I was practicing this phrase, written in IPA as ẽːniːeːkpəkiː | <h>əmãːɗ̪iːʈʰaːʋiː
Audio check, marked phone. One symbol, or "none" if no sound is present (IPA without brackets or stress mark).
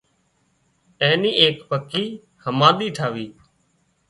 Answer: h